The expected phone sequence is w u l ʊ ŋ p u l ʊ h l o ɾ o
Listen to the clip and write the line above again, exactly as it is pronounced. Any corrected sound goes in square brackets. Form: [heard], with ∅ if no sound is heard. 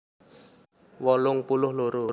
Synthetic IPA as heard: w [ɔ] l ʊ ŋ p u l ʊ h l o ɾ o

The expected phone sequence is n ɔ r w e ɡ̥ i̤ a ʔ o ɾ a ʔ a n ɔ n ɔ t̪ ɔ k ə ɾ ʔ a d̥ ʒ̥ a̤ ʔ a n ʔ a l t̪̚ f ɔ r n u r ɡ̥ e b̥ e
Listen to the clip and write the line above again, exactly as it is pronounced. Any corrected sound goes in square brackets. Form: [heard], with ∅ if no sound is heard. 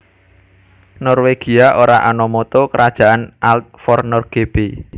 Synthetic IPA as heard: n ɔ r w e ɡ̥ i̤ a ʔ o ɾ a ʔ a n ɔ [m] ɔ t̪ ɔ k ə ɾ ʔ a d̥ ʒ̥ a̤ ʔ a n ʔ a l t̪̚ f ɔ r n [ɔ] r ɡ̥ e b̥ e

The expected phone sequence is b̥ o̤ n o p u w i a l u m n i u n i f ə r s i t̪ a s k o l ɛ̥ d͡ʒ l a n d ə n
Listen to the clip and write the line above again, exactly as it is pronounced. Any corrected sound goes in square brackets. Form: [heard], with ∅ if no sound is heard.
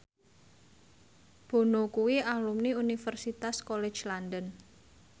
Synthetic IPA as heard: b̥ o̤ n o [k] u w i a l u m n i u n i f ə r s i t̪ a s k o l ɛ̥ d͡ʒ l a n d ə n

